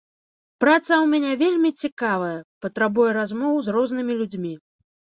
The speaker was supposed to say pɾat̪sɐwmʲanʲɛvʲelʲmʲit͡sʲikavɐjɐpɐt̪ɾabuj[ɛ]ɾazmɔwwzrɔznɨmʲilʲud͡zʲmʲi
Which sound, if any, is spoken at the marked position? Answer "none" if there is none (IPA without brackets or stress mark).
ɛ